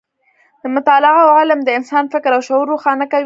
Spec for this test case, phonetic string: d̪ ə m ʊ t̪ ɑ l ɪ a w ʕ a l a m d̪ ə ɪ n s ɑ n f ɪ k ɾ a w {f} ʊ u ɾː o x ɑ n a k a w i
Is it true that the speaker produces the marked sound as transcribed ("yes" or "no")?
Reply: no